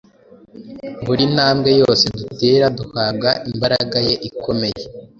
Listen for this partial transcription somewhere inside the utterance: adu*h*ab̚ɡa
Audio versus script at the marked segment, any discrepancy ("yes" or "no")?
no